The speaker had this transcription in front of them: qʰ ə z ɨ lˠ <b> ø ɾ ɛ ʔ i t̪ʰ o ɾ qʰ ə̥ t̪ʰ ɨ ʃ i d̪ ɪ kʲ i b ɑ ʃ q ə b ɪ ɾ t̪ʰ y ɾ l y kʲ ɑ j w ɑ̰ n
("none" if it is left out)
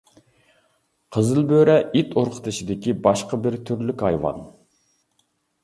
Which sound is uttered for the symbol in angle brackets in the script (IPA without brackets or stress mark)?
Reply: b